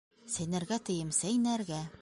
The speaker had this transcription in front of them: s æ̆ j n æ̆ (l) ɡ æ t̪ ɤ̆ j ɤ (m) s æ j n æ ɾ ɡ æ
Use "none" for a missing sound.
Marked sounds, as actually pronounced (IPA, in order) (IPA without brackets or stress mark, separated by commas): ɾ, m